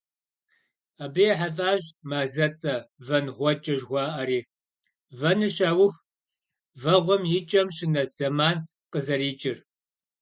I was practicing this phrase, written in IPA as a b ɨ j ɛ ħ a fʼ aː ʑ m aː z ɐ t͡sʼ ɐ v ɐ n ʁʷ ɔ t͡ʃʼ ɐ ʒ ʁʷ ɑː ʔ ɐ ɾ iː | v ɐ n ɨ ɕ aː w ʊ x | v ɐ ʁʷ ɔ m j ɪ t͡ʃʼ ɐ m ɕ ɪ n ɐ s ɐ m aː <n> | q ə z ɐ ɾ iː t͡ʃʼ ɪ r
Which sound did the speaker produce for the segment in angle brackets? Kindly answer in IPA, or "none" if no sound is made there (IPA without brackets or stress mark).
n